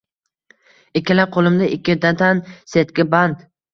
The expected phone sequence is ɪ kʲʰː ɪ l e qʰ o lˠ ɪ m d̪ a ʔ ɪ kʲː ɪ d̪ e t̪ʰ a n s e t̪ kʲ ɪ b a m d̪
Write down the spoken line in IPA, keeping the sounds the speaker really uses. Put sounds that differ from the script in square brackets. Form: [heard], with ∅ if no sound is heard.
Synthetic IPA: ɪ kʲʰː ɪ l [a] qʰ o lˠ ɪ m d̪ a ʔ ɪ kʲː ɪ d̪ [a] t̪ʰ a n s e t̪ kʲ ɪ b a [n] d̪